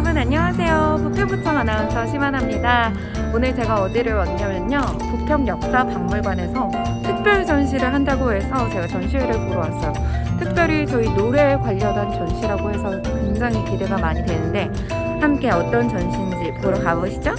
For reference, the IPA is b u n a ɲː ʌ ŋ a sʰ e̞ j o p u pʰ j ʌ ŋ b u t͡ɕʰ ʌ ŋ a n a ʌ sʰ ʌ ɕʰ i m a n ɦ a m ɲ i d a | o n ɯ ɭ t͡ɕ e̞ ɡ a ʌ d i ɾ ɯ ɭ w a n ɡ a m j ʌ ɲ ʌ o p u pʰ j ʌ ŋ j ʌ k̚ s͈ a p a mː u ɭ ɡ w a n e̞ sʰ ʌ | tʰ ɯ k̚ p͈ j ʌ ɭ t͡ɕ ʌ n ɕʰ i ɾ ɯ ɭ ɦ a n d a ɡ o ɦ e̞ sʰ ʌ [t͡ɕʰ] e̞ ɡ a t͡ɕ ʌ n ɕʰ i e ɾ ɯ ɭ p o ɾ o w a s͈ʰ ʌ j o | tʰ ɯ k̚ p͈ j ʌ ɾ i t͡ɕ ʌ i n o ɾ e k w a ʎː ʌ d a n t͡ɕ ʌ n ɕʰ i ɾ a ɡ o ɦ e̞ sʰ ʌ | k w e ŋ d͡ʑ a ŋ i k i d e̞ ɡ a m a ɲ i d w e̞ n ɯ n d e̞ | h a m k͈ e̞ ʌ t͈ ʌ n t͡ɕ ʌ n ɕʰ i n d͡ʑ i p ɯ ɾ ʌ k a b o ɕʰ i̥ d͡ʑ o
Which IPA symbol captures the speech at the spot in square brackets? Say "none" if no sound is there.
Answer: t͡ɕ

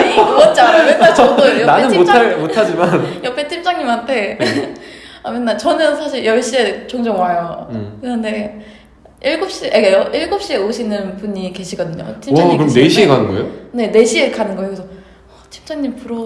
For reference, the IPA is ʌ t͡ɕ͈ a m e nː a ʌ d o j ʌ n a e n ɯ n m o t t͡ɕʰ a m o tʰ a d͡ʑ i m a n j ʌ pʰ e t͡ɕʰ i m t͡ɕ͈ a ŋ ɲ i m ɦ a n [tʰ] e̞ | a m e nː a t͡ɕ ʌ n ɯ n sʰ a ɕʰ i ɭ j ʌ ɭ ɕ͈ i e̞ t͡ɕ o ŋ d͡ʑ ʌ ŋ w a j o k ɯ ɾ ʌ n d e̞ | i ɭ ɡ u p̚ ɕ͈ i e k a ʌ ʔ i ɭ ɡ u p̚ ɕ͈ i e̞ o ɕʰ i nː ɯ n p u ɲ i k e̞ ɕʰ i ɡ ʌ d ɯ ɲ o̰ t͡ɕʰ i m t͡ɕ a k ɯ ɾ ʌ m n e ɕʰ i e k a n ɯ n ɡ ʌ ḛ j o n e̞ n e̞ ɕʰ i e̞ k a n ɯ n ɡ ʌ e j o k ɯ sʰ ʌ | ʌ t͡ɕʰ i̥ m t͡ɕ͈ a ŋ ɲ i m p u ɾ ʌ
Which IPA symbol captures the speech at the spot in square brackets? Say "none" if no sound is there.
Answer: tʰ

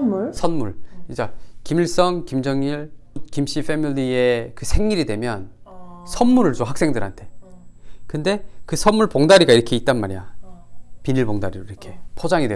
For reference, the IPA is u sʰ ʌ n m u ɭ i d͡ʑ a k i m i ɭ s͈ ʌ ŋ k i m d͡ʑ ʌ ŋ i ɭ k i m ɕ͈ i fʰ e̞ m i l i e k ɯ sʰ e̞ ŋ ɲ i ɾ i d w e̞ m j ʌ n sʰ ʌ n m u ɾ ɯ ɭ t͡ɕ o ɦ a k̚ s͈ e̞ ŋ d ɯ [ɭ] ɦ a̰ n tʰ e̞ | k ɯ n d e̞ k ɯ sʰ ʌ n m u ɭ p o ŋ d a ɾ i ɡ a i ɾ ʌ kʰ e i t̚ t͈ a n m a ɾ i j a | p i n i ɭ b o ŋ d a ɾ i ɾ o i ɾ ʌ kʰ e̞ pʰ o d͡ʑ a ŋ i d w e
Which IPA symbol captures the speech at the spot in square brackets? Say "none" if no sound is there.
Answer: ɾ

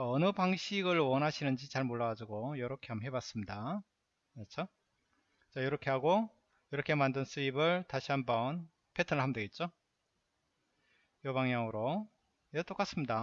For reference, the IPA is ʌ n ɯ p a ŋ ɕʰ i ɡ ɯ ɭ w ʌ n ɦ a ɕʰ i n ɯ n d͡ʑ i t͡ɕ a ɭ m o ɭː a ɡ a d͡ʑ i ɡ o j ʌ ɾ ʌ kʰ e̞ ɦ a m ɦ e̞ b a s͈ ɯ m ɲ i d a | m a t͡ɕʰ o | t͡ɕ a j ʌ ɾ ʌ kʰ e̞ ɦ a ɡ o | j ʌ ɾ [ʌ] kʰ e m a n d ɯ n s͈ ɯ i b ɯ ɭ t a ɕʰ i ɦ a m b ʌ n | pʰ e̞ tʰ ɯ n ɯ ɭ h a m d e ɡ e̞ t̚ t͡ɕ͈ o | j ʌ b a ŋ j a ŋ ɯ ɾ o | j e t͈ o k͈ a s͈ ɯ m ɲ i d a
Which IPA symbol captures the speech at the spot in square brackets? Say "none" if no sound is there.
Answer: ʌ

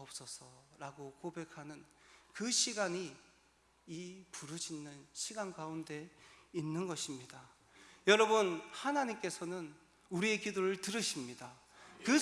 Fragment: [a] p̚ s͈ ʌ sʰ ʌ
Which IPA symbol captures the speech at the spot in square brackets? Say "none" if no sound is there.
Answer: ʌ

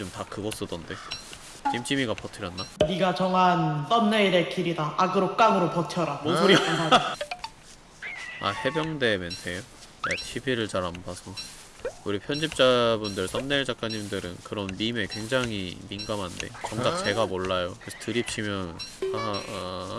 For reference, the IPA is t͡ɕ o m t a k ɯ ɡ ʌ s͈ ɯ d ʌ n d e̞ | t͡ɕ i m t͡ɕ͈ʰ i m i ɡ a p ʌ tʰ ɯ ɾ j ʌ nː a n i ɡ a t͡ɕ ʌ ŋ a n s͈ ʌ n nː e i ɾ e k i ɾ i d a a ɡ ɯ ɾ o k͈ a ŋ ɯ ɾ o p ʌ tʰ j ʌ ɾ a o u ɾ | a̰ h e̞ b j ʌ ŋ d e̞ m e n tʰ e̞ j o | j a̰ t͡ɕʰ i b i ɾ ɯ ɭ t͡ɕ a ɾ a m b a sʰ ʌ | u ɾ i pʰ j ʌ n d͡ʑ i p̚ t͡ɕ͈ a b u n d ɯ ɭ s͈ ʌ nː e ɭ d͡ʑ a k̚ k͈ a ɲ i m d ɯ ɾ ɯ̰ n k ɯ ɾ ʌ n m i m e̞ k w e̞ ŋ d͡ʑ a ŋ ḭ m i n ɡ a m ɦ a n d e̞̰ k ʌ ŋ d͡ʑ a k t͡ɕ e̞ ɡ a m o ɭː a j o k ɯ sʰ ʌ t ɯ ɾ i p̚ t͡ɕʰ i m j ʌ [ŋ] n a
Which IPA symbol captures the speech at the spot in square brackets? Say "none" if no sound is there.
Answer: n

